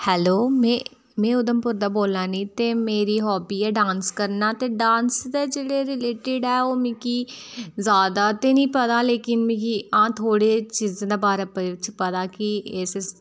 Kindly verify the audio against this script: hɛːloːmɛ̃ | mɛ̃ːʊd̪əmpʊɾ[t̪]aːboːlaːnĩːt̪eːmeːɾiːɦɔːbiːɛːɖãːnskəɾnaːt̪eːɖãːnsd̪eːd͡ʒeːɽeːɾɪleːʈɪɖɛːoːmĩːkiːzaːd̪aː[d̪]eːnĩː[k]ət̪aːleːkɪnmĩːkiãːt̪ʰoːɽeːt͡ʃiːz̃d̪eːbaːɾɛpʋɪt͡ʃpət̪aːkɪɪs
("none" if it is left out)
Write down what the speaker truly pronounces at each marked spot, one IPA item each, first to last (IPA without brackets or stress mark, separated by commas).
d̪, t̪, p